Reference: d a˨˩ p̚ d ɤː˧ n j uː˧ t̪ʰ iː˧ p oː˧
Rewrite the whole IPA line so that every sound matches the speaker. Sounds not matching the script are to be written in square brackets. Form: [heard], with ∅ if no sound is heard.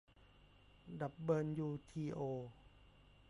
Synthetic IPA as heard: d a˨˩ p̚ [b] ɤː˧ n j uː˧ t̪ʰ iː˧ [ʔ] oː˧